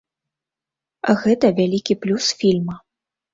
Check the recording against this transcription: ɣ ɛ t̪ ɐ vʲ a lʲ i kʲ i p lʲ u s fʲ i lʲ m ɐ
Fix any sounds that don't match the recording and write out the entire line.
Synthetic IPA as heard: ɣ ɛ t̪ ɐ vʲ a lʲ i kʲ i p lʲ u s fʲ i lʲ m ɐ